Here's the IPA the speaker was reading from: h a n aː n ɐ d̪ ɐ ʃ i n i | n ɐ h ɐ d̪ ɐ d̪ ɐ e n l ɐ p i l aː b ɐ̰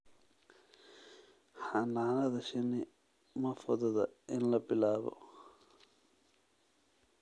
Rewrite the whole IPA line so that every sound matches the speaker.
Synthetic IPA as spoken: h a n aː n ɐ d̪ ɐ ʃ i n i | m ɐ f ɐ d̪ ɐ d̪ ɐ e n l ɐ p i l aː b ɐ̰

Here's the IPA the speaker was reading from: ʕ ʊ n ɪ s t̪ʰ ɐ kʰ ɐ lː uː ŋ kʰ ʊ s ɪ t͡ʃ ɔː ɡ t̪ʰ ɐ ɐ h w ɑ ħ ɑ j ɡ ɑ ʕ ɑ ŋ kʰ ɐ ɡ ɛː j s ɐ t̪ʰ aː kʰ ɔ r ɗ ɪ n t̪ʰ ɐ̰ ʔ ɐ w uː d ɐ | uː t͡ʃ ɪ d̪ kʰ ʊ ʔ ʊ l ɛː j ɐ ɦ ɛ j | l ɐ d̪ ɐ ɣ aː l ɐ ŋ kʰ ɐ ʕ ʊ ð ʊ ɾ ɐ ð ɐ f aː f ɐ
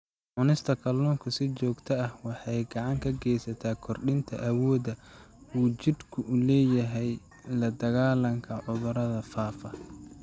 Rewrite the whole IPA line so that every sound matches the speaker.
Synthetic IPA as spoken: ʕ ʊ n ɪ s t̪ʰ ɐ kʰ ɐ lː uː ŋ kʰ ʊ s ɪ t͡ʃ ɔː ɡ t̪ʰ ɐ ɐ h w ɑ ħ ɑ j ɡ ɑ ʕ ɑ ŋ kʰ ɐ ɡ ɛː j s ɐ t̪ʰ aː kʰ ɔ r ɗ ɪ n t̪ʰ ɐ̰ ʔ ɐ w ɔː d ɐ | uː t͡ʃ ɪ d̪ kʰ ʊ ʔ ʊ l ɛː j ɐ ɦ ɛ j | l ɐ d̪ ɐ ɣ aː l ɐ ŋ kʰ ɐ ʕ ʊ ð ʊ ɾ ɐ ð ɐ f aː f ɐ

